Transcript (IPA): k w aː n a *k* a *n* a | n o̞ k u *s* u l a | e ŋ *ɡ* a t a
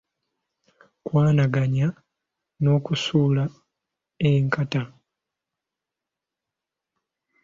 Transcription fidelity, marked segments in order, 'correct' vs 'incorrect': incorrect: ɡ, incorrect: ɲ, correct, incorrect: k

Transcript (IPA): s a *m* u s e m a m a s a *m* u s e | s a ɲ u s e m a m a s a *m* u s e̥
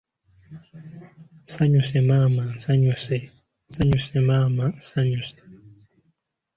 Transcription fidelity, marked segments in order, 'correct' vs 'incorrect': incorrect: ɲ, incorrect: ɲ, incorrect: ɲ

